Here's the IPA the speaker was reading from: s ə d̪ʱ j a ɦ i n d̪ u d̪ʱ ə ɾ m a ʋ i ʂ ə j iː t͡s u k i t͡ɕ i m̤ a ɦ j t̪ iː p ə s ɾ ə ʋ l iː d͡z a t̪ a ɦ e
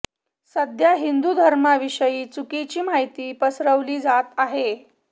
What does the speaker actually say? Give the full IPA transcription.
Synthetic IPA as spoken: s ə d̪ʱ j a ɦ i n d̪ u d̪ʱ ə ɾ m a ʋ i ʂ ə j iː t͡s u k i t͡ɕ iː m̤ a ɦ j t̪ iː p ə s ɾ ə ʋ l iː d͡z a t̪ a ɦ e